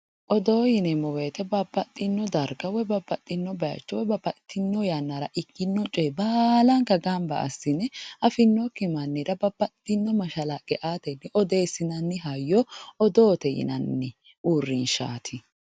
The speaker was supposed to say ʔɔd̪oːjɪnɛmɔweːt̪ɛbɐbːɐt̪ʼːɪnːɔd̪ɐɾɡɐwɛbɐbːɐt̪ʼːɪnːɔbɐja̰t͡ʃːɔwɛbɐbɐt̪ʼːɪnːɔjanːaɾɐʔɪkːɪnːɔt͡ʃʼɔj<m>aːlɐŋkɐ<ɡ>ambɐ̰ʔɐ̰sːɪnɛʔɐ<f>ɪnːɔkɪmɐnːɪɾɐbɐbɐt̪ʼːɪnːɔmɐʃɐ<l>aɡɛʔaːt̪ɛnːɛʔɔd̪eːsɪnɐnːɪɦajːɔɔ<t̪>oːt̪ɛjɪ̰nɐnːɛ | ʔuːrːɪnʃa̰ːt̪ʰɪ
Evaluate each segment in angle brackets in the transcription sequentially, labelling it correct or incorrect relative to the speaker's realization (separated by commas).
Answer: incorrect, correct, correct, correct, incorrect